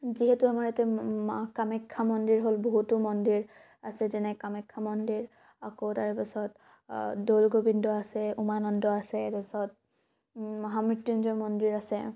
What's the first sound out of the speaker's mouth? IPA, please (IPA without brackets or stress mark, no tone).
z